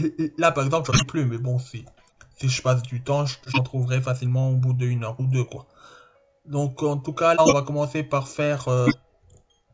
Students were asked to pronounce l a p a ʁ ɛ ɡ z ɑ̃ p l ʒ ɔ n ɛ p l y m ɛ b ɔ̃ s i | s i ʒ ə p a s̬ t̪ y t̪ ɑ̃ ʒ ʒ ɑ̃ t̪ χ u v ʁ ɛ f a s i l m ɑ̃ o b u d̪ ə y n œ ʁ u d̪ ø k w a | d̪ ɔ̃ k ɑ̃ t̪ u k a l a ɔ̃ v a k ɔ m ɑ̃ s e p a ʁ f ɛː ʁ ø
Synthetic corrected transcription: l a p a ʁ ɛ ɡ z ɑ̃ p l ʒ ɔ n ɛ p l y m ɛ b ɔ̃ s i | s i ʒ ə p a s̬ d̪ y t̪ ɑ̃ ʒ ʒ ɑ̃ t̪ χ u v ʁ ɛ f a s i l m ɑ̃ o b u d̪ ə y n œ ʁ u d̪ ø k w a | d̪ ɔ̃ k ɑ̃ t̪ u k a l a ɔ̃ v a k ɔ m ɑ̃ s e p a ʁ f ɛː ʁ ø